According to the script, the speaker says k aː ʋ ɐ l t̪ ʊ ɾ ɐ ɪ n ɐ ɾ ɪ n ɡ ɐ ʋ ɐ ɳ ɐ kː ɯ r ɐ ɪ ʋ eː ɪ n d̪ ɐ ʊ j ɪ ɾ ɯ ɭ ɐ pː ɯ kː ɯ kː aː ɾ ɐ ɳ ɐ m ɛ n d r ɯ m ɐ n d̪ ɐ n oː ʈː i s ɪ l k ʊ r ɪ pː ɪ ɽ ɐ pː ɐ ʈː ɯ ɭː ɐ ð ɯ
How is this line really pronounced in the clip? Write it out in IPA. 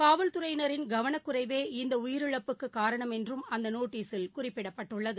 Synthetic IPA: k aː ʋ ɐ l t̪ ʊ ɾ ɐ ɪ n ɐ ɾ ɪ n ɡ ɐ ʋ ɐ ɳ ɐ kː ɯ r ɐ ɪ ʋ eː ɪ n d̪ ɐ ʊ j ɪ ɾ ɯ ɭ ɐ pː ɯ kː ɯ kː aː ɾ ɐ ɳ ɐ m ɛ n d r ɯ m ɐ n d̪ ɐ n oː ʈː iː s ɪ l k ʊ r ɪ pː ɪ ɽ ɐ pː ɐ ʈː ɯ ɭː ɐ ð ɯ